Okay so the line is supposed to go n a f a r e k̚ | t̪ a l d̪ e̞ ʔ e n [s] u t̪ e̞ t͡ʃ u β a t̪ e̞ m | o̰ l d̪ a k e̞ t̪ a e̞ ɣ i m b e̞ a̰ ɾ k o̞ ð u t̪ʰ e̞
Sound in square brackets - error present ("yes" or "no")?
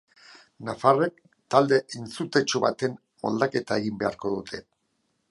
yes